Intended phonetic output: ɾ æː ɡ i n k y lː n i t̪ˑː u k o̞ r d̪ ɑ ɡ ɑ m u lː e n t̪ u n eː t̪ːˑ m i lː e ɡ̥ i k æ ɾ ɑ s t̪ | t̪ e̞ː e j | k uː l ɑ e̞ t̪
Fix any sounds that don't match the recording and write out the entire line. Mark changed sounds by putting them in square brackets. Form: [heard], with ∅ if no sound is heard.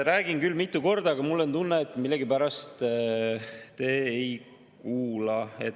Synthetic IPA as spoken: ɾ æː ɡ i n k y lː [m] i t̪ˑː u k o̞ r d̪ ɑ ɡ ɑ m u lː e n t̪ u [nː] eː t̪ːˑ m i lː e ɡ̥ i [p] æ ɾ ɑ s t̪ | t̪ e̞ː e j | k uː l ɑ e̞ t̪